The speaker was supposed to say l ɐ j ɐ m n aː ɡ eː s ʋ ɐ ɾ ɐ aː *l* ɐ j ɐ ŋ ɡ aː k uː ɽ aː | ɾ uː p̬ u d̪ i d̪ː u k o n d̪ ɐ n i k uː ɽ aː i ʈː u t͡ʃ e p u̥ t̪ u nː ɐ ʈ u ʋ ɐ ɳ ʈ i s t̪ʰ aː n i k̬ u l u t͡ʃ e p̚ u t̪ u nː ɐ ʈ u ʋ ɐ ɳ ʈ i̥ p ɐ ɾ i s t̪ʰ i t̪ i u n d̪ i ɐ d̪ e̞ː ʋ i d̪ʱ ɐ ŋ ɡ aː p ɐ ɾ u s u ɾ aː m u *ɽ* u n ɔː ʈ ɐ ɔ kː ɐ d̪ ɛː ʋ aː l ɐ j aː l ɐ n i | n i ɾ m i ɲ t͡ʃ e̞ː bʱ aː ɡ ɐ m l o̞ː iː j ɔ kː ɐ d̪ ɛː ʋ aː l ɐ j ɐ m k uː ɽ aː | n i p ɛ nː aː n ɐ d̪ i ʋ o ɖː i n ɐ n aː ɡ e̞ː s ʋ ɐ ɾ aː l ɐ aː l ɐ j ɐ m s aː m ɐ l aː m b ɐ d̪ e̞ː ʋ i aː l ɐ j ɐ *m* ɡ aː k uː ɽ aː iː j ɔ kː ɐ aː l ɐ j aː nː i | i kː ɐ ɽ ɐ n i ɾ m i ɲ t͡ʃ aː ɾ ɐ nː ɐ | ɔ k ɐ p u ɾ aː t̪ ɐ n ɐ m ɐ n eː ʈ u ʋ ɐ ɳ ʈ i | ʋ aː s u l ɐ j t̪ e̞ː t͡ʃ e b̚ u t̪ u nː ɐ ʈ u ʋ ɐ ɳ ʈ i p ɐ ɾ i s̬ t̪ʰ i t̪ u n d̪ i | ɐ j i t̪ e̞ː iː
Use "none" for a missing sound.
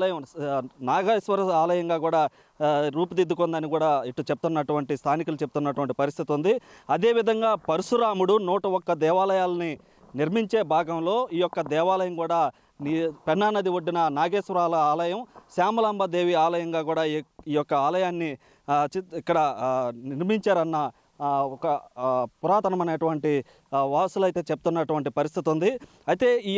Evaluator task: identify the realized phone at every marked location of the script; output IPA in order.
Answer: l, ɽ, ŋ

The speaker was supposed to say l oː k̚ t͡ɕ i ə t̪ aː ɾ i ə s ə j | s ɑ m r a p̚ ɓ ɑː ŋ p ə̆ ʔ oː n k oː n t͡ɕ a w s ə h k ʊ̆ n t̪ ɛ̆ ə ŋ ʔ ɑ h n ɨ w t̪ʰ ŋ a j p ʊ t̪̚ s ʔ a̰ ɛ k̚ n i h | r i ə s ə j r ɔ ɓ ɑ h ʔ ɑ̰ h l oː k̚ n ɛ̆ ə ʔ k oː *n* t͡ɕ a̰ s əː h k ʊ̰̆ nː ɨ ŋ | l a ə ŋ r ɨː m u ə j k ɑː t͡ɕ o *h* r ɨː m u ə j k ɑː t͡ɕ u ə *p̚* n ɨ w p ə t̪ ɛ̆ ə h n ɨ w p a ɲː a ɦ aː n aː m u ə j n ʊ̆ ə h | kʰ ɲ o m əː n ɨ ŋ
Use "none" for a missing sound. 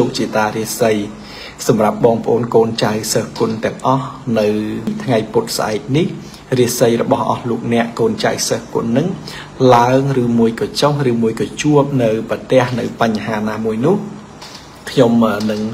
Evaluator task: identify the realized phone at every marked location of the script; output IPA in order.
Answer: n, h, p̚

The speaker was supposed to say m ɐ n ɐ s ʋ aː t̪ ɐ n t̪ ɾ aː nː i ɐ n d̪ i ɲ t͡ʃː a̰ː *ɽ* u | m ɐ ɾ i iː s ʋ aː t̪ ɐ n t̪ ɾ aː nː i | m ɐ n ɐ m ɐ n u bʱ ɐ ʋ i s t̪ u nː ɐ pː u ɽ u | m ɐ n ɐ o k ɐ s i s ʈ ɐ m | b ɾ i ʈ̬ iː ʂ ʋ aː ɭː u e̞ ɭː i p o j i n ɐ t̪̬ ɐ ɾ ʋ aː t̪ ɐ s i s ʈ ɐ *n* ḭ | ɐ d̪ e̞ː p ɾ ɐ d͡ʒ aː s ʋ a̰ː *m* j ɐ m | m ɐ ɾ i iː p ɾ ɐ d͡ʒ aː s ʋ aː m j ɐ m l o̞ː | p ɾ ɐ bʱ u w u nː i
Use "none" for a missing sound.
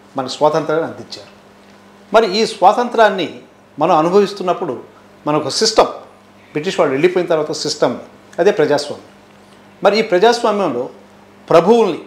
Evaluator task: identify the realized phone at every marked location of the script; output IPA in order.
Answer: ɾ, m, m

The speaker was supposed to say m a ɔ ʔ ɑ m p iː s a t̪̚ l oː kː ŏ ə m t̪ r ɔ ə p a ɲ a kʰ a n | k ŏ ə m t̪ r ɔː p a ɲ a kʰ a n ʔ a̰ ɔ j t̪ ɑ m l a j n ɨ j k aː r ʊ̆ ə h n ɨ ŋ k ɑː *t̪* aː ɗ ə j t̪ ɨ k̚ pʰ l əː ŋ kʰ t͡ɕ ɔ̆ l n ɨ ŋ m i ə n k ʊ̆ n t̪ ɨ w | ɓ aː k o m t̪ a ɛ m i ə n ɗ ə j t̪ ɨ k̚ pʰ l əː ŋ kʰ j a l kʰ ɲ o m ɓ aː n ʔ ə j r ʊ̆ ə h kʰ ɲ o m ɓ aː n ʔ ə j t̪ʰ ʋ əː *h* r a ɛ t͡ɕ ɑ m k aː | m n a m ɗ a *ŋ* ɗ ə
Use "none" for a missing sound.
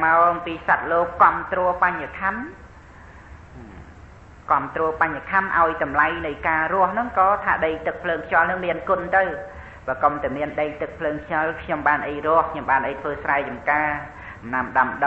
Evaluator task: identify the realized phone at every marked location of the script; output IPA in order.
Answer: t̪ʰ, s, m

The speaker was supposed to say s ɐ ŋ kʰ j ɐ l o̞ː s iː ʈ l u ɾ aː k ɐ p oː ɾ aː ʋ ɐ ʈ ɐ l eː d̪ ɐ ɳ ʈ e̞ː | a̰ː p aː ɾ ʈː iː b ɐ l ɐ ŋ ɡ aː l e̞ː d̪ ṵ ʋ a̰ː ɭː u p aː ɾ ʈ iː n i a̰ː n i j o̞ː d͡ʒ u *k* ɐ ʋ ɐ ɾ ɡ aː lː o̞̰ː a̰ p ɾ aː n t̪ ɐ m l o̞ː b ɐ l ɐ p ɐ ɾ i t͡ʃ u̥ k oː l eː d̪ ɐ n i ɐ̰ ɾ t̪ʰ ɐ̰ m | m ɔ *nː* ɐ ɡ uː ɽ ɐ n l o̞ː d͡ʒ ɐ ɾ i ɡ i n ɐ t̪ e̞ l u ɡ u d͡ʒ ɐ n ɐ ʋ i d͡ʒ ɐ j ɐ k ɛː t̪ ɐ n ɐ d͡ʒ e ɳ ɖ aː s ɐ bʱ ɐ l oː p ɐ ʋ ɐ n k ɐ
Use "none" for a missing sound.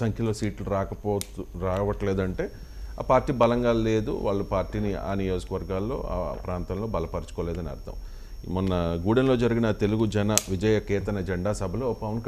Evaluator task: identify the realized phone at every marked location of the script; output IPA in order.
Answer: k, nː

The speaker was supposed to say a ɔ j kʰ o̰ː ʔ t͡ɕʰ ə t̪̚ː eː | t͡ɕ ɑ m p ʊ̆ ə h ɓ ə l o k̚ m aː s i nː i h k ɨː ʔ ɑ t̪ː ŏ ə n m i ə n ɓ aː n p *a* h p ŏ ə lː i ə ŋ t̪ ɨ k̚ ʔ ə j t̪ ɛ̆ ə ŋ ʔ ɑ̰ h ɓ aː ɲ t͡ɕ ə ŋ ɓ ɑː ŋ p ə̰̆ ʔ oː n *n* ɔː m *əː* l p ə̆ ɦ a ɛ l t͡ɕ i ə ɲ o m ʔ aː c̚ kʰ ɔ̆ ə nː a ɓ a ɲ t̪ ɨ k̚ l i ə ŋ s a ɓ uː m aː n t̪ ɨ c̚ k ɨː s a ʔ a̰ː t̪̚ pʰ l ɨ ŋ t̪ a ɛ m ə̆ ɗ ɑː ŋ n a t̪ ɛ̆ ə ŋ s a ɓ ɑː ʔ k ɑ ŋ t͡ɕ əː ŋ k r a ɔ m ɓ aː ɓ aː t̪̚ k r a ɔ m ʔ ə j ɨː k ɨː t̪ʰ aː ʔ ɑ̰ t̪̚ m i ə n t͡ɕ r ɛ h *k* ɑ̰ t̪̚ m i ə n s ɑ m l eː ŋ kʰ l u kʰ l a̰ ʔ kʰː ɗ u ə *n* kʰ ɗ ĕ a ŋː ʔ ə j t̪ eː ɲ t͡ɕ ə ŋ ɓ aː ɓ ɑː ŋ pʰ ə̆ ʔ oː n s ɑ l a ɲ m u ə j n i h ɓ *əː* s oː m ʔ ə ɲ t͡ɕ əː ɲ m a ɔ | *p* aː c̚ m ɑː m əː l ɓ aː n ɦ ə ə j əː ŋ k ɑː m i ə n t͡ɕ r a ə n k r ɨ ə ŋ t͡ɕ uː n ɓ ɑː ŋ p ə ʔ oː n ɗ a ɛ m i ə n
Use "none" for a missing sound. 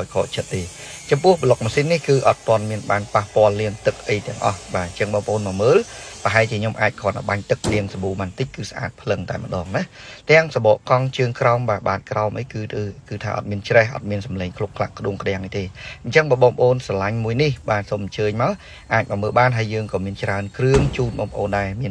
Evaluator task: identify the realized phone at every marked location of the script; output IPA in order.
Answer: a, m, əː, ʔ, ŋ, aː, ʔ

